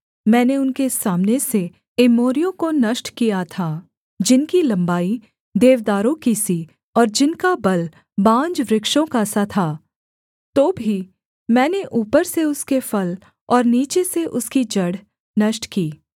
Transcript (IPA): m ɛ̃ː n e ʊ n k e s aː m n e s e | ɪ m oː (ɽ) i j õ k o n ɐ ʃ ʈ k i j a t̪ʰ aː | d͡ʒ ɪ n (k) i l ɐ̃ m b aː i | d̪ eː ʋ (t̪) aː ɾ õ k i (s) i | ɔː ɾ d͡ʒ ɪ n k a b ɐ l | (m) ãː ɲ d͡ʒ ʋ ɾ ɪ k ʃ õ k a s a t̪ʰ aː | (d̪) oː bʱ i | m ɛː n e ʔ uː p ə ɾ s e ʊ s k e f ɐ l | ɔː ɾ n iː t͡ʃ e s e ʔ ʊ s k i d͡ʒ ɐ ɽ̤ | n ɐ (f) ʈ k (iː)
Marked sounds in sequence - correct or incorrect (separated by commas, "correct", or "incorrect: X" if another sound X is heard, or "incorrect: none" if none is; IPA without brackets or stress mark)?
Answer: incorrect: ɾ, correct, incorrect: d̪, correct, incorrect: b, incorrect: t̪, incorrect: ʃ, correct